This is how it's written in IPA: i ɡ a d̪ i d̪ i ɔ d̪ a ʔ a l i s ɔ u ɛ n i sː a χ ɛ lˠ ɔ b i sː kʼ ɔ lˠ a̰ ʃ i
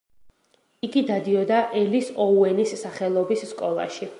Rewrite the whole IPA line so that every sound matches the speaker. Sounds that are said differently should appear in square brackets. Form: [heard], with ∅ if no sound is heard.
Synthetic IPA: i ɡ [i] d̪ [a] d̪ i ɔ d̪ a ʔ [ɛ] l i s ɔ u ɛ n i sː a χ ɛ lˠ ɔ b i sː kʼ ɔ lˠ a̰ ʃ i